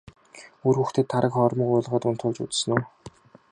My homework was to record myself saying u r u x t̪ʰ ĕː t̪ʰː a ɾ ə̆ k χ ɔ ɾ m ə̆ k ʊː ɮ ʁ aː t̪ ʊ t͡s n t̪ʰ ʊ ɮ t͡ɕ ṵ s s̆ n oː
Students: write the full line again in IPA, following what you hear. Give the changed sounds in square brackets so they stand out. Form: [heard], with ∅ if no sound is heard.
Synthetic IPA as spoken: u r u x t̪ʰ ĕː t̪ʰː a ɾ ə̆ k χ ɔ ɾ m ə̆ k ʊː ɮ ʁ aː t̪ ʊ [∅] n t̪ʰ ʊ ɮ t͡ɕ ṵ [t͡s] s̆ n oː